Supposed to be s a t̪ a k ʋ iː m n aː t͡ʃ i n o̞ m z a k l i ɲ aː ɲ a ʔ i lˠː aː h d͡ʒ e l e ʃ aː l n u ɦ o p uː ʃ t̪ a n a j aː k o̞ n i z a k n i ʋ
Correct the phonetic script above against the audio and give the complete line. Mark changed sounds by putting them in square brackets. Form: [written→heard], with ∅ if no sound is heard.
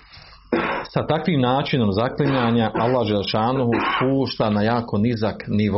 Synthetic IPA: s a t̪ a k ʋ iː m n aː t͡ʃ i n o̞ m z a k l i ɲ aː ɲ a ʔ [i→a] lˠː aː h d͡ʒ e l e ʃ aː [l→∅] n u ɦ [o→u] p uː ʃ t̪ a n a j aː k o̞ n i z a k n i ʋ